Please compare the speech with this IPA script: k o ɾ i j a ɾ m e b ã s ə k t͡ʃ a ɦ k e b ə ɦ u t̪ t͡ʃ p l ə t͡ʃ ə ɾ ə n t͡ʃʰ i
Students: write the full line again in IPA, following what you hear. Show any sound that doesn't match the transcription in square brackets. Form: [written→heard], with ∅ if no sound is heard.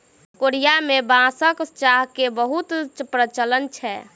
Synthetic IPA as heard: k o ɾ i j a [ɾ→∅] m e b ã s ə k t͡ʃ a ɦ k e b ə ɦ u t̪ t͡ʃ p [l→ɾ] ə t͡ʃ ə [ɾ→l] ə n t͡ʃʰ [i→ɛ]